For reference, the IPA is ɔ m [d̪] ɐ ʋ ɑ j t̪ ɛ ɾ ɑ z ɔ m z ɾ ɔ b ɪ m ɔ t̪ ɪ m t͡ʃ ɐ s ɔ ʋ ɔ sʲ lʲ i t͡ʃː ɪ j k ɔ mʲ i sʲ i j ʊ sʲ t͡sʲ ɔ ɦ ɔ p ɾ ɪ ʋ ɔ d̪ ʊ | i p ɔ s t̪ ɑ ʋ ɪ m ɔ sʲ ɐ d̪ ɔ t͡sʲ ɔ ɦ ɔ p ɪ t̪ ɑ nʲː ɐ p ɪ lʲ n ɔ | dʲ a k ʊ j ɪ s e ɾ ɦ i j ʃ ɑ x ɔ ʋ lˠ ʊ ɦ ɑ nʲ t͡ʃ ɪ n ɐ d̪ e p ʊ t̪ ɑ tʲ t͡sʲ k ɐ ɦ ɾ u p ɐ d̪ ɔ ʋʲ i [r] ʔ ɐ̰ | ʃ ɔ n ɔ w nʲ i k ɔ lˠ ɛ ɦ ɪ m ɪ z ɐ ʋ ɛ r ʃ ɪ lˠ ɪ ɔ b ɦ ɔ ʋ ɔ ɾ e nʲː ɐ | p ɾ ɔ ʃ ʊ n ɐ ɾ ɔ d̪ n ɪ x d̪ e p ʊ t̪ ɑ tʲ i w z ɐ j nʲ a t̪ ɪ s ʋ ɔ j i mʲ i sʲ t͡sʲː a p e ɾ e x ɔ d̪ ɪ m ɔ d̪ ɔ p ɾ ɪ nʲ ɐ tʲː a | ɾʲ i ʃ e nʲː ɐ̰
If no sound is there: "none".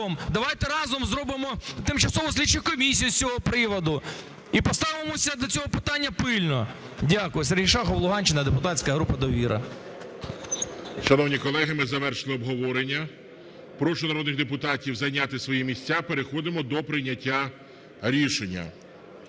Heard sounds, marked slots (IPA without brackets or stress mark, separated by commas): d̪, ɾ